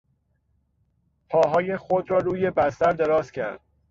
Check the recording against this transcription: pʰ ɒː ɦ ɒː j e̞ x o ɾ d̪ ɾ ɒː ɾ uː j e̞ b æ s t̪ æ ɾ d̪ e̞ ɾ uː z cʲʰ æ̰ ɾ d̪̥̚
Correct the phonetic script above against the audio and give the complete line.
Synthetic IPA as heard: pʰ ɒː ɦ ɒː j e̞ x o d̪ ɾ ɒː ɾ uː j e̞ b æ s t̪ æ ɾ d̪ e̞ ɾ ɒː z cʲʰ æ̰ ɾ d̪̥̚